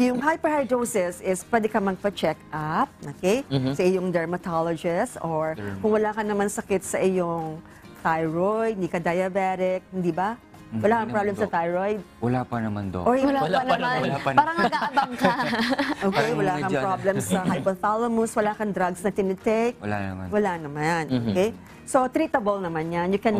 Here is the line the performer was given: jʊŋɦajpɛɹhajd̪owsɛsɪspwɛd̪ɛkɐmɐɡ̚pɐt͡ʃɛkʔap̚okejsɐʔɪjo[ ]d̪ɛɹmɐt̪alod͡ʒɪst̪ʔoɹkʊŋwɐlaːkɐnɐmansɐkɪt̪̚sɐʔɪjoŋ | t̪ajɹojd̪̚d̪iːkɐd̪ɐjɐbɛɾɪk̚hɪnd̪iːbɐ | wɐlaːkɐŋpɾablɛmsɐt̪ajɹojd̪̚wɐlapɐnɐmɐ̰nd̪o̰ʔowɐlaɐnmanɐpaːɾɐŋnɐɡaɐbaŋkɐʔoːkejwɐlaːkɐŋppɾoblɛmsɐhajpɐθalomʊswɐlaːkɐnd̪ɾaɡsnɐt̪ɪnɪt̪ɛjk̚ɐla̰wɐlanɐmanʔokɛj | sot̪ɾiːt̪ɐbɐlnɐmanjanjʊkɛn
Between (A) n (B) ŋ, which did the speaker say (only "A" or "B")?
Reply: B